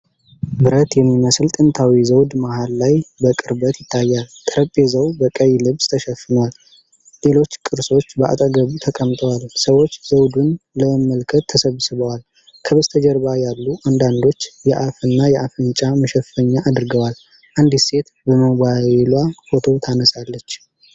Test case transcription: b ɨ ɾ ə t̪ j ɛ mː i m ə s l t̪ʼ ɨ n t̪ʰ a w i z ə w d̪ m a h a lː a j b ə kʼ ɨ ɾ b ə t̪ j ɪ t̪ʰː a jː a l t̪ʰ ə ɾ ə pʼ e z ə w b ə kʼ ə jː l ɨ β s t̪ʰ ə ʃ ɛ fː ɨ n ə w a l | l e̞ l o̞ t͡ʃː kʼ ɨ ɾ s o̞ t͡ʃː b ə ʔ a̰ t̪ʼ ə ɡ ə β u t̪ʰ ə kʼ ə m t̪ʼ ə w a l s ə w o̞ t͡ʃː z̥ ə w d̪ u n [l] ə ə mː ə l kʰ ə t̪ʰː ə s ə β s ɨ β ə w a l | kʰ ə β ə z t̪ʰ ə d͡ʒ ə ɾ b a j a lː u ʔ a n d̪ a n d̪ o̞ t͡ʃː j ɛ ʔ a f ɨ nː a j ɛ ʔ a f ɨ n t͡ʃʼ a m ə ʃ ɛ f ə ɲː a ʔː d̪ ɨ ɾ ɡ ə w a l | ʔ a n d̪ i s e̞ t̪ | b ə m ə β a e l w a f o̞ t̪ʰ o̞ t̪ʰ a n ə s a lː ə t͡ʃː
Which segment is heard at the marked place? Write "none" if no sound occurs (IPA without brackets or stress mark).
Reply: l